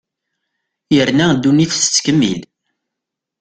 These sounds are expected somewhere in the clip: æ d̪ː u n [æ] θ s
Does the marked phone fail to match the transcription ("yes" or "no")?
yes